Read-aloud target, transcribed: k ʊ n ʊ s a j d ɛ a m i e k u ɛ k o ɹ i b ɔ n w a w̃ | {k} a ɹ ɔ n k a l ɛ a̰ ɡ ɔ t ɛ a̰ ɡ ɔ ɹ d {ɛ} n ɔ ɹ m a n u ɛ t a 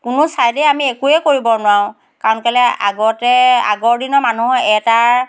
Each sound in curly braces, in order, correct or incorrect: correct, incorrect

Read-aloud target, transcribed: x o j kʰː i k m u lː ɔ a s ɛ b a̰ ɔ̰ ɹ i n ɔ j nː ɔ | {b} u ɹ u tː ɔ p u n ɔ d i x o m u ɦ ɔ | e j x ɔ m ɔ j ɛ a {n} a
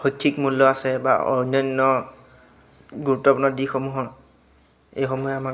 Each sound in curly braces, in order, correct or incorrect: incorrect, incorrect

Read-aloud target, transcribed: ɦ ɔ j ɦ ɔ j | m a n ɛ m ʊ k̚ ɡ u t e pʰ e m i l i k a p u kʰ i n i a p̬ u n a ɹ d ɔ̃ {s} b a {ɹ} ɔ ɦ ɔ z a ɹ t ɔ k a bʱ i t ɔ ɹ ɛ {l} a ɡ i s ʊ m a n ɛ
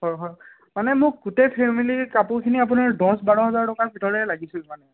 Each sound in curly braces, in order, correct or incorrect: correct, correct, correct

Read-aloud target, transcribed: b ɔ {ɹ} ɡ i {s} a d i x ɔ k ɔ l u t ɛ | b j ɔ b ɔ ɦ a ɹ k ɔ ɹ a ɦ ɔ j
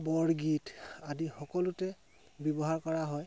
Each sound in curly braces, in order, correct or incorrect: correct, incorrect

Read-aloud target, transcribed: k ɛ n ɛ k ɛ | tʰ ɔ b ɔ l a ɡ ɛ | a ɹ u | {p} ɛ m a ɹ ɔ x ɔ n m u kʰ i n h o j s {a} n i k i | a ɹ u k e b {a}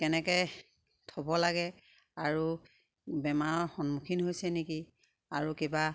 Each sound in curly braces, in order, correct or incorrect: incorrect, incorrect, correct

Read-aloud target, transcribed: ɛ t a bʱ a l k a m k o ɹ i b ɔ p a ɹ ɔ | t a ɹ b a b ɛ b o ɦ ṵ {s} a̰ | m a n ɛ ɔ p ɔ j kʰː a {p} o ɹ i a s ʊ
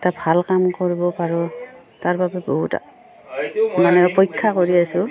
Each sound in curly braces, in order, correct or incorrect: incorrect, incorrect

